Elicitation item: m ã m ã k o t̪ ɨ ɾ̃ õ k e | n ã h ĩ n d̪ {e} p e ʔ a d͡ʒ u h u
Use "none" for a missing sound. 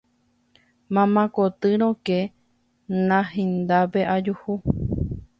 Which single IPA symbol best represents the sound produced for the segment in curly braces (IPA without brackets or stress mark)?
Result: a